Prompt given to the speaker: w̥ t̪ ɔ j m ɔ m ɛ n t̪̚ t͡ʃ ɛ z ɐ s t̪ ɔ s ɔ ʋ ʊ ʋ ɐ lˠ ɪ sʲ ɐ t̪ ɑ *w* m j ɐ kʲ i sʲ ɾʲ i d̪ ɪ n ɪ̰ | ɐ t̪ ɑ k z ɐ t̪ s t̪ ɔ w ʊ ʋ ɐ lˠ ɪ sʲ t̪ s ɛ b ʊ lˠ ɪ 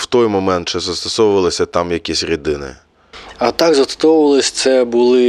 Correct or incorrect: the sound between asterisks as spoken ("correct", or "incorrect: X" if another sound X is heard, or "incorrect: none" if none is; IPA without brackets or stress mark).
incorrect: none